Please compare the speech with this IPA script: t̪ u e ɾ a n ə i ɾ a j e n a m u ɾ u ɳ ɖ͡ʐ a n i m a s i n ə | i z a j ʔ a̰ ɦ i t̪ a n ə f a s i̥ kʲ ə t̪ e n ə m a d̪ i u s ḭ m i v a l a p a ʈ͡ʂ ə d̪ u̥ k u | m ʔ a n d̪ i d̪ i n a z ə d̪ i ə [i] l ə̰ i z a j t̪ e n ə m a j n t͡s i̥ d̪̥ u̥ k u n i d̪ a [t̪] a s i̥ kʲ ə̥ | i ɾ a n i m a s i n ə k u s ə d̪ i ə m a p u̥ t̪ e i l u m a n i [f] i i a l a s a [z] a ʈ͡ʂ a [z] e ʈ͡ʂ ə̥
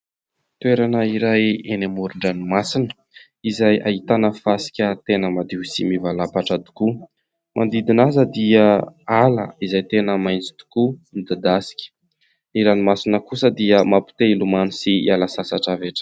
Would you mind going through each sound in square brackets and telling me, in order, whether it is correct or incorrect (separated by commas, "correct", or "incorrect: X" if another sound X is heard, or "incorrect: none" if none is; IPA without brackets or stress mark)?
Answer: incorrect: a, incorrect: d̪, incorrect: s, incorrect: s, incorrect: v